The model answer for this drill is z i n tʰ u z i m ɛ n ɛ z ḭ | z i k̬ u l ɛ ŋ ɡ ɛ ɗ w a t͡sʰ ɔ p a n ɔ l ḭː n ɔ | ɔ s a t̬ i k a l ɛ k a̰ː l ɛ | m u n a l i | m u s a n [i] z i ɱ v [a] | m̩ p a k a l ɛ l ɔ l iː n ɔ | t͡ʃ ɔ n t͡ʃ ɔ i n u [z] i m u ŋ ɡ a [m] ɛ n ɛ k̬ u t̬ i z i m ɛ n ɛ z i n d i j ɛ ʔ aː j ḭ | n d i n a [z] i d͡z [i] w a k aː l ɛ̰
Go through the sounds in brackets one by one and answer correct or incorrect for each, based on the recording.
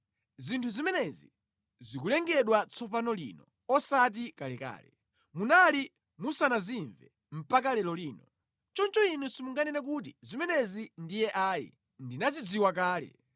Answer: incorrect: a, incorrect: ɛ, incorrect: s, incorrect: n, correct, correct

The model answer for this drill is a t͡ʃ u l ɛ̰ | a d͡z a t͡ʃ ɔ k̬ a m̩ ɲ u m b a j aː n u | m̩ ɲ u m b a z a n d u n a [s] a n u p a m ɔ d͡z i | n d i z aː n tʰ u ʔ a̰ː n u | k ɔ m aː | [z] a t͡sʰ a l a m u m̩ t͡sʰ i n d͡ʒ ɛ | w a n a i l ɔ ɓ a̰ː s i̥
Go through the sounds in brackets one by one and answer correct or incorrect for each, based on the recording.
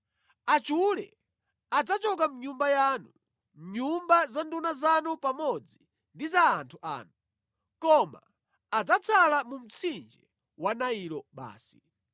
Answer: incorrect: z, incorrect: d͡z

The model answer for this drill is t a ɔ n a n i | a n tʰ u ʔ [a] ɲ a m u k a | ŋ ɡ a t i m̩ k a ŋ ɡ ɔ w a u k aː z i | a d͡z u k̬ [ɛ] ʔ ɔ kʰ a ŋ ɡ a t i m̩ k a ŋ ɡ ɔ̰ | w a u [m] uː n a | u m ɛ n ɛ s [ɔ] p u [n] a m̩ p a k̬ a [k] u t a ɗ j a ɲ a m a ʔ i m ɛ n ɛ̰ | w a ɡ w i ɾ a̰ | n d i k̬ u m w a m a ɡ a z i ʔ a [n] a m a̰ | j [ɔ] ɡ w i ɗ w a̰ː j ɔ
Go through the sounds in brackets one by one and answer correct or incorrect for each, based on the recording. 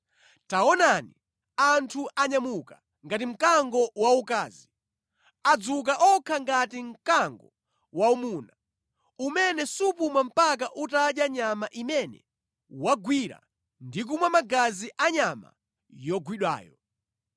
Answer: correct, incorrect: a, correct, incorrect: u, incorrect: m, incorrect: ʔ, incorrect: ɲ, correct

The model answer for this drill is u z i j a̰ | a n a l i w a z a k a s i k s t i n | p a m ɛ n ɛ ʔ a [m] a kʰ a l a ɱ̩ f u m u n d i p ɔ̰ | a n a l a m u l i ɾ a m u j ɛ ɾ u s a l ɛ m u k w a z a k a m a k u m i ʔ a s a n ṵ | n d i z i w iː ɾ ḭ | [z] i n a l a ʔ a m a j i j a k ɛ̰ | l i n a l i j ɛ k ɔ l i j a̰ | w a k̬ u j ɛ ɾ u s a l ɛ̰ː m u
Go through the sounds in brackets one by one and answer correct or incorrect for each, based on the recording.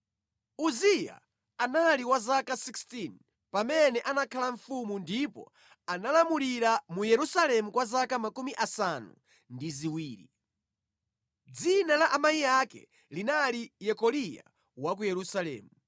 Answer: incorrect: n, incorrect: d͡z

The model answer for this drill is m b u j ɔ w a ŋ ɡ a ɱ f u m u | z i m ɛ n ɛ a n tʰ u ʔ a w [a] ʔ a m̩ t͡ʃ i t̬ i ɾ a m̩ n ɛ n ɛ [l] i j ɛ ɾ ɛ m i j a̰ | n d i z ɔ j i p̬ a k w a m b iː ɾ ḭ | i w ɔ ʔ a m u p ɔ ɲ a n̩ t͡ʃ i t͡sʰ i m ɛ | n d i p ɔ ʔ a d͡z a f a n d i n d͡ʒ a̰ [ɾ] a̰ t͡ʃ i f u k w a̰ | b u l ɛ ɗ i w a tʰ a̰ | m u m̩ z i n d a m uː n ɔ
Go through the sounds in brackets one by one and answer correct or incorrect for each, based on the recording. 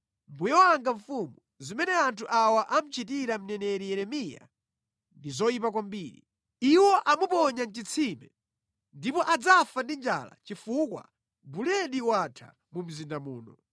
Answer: correct, incorrect: ɾ, incorrect: l

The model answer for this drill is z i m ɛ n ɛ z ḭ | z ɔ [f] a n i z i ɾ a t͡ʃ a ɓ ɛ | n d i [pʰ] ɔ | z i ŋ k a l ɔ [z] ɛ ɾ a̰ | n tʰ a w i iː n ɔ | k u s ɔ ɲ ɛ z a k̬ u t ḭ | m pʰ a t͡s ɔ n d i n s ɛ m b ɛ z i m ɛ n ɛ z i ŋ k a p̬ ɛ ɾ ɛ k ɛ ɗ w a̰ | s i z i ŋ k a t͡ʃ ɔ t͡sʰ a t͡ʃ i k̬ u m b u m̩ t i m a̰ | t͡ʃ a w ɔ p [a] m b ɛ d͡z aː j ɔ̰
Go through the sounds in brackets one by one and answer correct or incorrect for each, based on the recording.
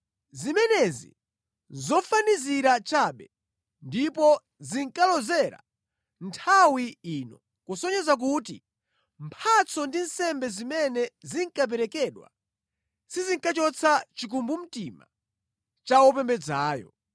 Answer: correct, incorrect: p, correct, incorrect: ɛ

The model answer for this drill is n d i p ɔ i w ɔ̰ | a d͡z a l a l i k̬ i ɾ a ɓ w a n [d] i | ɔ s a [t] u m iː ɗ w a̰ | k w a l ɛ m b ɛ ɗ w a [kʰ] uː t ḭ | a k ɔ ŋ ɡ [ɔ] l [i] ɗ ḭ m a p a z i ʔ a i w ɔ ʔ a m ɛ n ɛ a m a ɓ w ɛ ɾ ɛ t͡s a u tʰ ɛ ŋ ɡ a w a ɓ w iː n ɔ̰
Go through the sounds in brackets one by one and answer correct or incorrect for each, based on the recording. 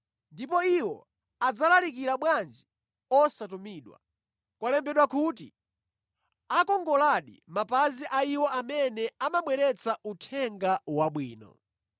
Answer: incorrect: d͡ʒ, correct, incorrect: k, correct, incorrect: a

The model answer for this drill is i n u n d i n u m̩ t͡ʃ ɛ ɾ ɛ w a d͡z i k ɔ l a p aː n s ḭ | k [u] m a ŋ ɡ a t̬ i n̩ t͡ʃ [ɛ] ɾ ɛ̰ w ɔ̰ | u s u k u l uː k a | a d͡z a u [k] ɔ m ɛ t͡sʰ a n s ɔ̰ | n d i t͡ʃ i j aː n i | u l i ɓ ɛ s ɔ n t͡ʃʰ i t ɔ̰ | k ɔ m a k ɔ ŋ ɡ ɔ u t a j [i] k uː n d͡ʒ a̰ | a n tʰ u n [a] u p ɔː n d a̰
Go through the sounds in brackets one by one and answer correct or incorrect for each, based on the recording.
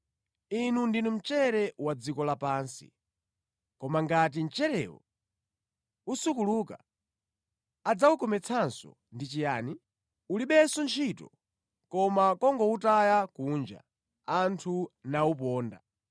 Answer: incorrect: ɔ, correct, correct, incorrect: a, correct

